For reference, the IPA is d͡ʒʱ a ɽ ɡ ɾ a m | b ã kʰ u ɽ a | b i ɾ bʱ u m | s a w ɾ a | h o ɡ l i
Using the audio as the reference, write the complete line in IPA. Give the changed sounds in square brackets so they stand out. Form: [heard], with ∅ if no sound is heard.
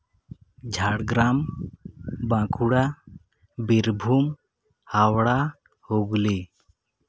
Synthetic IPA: d͡ʒʱ a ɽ ɡ ɾ a m | b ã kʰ u ɽ a | b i ɾ bʱ u m | [h] a w [ɽ] a | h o ɡ l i